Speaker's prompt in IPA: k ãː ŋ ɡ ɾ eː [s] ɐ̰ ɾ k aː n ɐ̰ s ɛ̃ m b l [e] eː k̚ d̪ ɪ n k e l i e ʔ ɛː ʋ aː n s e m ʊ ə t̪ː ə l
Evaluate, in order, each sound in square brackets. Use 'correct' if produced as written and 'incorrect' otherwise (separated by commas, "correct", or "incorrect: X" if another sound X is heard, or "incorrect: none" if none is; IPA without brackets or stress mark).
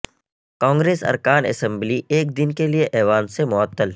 correct, incorrect: i